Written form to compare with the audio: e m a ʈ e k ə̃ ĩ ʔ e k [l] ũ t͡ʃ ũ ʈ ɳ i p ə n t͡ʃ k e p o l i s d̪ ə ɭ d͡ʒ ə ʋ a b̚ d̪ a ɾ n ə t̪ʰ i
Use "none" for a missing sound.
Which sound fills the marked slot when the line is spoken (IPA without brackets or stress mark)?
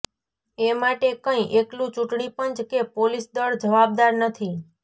l